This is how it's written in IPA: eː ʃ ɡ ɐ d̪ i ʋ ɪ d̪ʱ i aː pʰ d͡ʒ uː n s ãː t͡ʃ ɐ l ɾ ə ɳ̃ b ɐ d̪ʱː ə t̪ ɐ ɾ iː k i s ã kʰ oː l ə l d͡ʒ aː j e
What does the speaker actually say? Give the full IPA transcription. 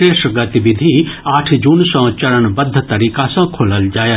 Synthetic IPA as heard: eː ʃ ɡ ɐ t̪ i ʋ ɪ d̪ʱ i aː ʈʰ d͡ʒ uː n s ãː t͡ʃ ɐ ɾ ə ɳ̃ b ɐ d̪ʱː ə t̪ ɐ ɾ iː k a s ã kʰ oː l ə l d͡ʒ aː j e